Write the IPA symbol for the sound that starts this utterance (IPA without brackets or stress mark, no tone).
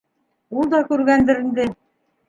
u